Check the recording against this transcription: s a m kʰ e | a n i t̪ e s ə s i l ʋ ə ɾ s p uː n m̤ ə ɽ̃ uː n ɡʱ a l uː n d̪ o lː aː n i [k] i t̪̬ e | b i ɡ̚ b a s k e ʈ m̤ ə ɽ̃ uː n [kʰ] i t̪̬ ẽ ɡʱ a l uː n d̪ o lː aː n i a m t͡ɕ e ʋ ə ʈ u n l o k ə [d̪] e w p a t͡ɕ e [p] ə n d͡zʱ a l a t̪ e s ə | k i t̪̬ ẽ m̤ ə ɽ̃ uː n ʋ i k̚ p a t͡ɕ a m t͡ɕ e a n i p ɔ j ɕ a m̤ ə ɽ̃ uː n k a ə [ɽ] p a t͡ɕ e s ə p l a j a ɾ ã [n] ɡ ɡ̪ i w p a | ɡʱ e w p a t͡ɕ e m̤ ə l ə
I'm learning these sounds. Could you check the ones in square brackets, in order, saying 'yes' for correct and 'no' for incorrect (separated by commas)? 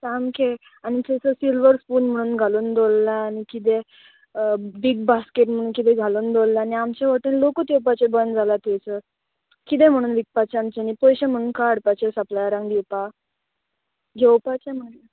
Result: yes, no, no, no, yes, no